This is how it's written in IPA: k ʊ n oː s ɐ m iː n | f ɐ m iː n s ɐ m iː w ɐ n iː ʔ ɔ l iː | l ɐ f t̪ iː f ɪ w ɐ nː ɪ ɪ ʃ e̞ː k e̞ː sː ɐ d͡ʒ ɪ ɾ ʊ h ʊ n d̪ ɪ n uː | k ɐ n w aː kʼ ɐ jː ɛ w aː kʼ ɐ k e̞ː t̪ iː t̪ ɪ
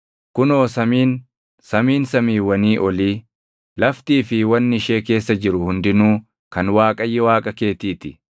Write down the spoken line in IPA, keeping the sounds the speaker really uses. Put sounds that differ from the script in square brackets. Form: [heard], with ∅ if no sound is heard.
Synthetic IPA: k ʊ n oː s ɐ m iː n | [s] ɐ m iː n s ɐ m iː w ɐ n iː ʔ ɔ l iː | l ɐ f t̪ iː f ɪ w ɐ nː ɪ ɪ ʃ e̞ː k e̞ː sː ɐ d͡ʒ ɪ ɾ ʊ h ʊ n d̪ ɪ n uː | k ɐ n w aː kʼ ɐ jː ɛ w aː kʼ ɐ k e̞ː t̪ iː t̪ ɪ

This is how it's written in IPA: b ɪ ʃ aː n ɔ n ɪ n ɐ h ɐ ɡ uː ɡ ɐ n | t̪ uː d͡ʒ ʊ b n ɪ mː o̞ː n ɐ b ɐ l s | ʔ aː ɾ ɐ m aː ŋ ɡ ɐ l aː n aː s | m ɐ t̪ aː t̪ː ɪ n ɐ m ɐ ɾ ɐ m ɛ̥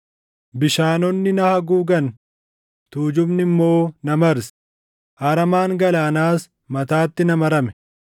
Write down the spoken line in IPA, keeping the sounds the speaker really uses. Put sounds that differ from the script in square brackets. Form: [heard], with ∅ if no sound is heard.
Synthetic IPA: b ɪ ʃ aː n ɔ [nː] ɪ n ɐ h ɐ ɡ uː ɡ ɐ n | t̪ uː d͡ʒ ʊ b n ɪ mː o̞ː n ɐ [m] ɐ [ɾ] s | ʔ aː ɾ ɐ m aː ŋ ɡ ɐ l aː n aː s | m ɐ t̪ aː t̪ː ɪ n ɐ m ɐ ɾ ɐ m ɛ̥

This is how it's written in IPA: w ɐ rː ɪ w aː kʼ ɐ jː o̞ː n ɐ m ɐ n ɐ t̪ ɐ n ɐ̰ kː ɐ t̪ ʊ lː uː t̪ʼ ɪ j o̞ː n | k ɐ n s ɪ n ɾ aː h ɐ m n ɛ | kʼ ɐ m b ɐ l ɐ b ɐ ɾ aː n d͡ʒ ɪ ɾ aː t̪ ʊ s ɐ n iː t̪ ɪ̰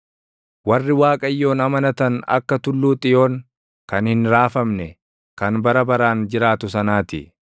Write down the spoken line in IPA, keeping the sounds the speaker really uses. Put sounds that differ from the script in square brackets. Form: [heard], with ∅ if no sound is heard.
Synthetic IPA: w ɐ rː ɪ w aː kʼ ɐ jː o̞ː n ɐ m ɐ n ɐ t̪ ɐ n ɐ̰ kː ɐ t̪ ʊ lː uː t̪ʼ ɪ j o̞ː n | k ɐ n [h] ɪ n ɾ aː [f] ɐ m n ɛ | [k] ɐ [n] b ɐ [ɾ] ɐ b ɐ ɾ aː n d͡ʒ ɪ ɾ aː t̪ ʊ s ɐ n [aː] t̪ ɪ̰

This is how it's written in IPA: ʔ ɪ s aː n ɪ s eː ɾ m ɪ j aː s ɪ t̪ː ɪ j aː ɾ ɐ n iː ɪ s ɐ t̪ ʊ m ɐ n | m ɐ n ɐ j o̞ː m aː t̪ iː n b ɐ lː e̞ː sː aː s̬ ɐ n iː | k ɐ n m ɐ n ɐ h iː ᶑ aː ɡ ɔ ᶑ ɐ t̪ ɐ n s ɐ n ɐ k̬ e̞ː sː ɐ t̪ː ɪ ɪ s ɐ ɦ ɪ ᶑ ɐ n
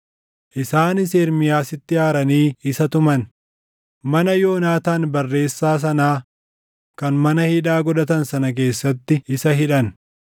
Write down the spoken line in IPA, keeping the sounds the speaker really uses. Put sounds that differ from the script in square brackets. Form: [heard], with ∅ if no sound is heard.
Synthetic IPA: ʔ ɪ s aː n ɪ s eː ɾ m ɪ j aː s ɪ t̪ː ɪ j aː ɾ ɐ n iː ɪ s ɐ t̪ ʊ m ɐ n | m ɐ n ɐ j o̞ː [n] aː t̪ [aː] n b ɐ [rː] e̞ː sː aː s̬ ɐ n [aː] | k ɐ n m ɐ n ɐ h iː ᶑ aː ɡ ɔ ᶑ ɐ t̪ ɐ n s ɐ n ɐ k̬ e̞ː sː ɐ t̪ː ɪ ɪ s ɐ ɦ ɪ ᶑ ɐ n

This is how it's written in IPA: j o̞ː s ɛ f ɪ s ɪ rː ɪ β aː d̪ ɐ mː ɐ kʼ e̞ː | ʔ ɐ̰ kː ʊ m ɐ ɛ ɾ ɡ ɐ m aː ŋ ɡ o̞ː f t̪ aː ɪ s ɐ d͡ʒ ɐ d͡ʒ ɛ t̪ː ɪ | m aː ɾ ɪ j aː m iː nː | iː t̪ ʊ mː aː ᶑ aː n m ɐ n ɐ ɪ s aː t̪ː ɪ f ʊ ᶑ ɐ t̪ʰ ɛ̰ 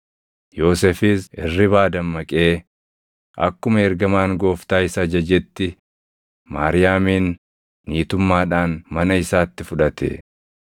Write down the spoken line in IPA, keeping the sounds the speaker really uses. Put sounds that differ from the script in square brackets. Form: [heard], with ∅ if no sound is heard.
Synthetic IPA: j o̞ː s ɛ f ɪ s ɪ rː ɪ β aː d̪ ɐ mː ɐ kʼ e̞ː | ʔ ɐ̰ kː ʊ m ɐ ɛ ɾ ɡ ɐ m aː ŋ ɡ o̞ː f t̪ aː ɪ s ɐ d͡ʒ ɐ d͡ʒ ɛ t̪ː ɪ | m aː ɾ ɪ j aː m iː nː | iː t̪ ʊ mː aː ᶑ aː n m ɐ n ɐ ɪ s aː t̪ː ɪ f ʊ ᶑ ɐ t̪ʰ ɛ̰

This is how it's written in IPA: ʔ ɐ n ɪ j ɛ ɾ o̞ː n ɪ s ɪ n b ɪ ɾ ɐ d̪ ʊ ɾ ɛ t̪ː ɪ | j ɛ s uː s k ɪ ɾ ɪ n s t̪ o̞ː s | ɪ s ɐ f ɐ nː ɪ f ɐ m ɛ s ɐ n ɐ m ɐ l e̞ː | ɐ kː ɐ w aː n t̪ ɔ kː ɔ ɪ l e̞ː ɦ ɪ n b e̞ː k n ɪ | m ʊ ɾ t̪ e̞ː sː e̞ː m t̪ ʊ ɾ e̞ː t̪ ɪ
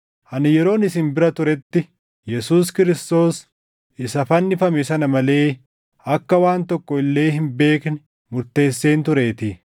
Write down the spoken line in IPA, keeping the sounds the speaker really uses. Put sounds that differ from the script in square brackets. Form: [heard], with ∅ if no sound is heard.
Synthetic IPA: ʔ ɐ n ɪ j ɛ ɾ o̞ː n ɪ s ɪ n b ɪ ɾ ɐ [t̪] ʊ ɾ ɛ t̪ː ɪ | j ɛ s uː s k ɪ ɾ ɪ [∅] s t̪ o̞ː s | ɪ s ɐ f ɐ nː ɪ f ɐ m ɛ s ɐ n ɐ m ɐ l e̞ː | ɐ kː ɐ w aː n t̪ ɔ kː ɔ ɪ [lː] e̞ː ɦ ɪ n b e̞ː k n ɪ | m ʊ ɾ t̪ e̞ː sː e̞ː [n] t̪ ʊ ɾ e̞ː t̪ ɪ

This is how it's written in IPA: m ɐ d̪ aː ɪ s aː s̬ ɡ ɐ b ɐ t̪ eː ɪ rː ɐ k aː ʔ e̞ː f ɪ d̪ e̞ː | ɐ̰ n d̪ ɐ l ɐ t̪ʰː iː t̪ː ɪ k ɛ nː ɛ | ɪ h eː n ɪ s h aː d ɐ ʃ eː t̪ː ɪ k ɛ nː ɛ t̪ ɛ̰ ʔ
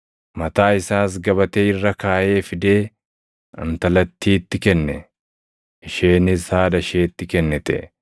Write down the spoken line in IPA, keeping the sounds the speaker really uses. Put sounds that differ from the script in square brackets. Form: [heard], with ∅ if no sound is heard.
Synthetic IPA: m ɐ [t̪] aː ɪ s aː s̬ ɡ ɐ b ɐ t̪ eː ɪ rː ɐ k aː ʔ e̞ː f ɪ d̪ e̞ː | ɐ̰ n [t̪] ɐ l ɐ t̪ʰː iː t̪ː ɪ k ɛ nː ɛ | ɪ [ʃ] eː n ɪ s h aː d ɐ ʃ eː t̪ː ɪ k ɛ nː ɛ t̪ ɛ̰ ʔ

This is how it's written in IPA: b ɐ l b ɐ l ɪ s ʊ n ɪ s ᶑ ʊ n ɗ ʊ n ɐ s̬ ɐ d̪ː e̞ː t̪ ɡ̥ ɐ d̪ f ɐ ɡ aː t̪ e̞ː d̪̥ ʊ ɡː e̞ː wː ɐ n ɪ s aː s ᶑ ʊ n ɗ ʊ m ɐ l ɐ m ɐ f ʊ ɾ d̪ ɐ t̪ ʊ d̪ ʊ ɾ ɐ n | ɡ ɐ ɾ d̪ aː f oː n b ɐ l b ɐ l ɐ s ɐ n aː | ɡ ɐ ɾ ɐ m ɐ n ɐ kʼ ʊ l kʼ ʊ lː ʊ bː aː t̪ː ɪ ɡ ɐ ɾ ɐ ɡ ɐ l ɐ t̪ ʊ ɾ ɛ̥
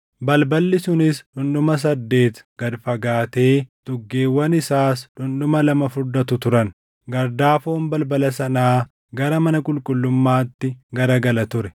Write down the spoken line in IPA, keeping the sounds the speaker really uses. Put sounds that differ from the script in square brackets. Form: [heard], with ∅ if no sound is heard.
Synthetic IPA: b ɐ l b ɐ [lː] ɪ s ʊ n ɪ s ᶑ ʊ n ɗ ʊ [m] ɐ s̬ ɐ d̪ː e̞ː t̪ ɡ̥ ɐ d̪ f ɐ ɡ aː t̪ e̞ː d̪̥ ʊ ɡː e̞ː wː ɐ n ɪ s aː s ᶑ ʊ n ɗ ʊ m ɐ l ɐ m ɐ f ʊ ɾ d̪ ɐ t̪ ʊ [t̪] ʊ ɾ ɐ n | ɡ ɐ ɾ d̪ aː f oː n b ɐ l b ɐ l ɐ s ɐ n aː | ɡ ɐ ɾ ɐ m ɐ n ɐ kʼ ʊ l kʼ ʊ lː ʊ [mː] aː t̪ː ɪ ɡ ɐ ɾ ɐ ɡ ɐ l ɐ t̪ ʊ ɾ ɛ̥

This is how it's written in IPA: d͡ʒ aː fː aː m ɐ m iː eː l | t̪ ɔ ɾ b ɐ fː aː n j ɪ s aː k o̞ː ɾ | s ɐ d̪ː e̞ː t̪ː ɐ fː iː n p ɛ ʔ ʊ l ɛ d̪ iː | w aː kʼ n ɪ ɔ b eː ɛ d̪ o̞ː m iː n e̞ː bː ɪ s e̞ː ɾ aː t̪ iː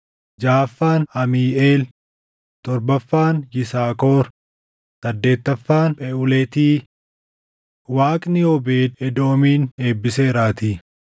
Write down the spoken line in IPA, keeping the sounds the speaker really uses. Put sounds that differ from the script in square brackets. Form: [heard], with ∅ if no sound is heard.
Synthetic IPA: d͡ʒ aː fː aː [n] ɐ m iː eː l | t̪ ɔ ɾ b ɐ fː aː n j ɪ s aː k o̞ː ɾ | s ɐ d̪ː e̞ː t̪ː ɐ fː [aː] n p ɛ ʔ ʊ l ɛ [t̪] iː | w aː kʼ n ɪ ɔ b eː ɛ d̪ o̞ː m iː n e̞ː bː ɪ s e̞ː ɾ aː t̪ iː

